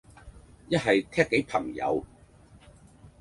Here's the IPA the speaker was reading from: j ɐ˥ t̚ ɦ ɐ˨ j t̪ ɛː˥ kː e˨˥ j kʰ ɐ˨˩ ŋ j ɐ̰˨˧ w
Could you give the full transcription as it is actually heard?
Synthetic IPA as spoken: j ɐ˥ t̚ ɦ ɐ˨ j t̪ʰ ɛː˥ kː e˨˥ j pʰ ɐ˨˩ ŋ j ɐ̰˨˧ w